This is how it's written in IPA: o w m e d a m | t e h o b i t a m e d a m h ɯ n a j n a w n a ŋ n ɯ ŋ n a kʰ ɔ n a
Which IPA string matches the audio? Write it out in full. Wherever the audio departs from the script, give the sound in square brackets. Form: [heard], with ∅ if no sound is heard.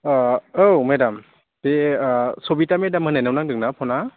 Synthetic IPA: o w m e d a m | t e [s] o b i t a m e d a m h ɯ n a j n a w n a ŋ [d] ɯ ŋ n a [pʰ] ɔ n a